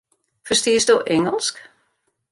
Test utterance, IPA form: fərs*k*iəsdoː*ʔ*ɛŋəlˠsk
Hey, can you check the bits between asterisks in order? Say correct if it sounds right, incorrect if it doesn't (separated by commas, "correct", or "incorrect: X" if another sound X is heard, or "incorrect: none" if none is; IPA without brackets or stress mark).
incorrect: t, correct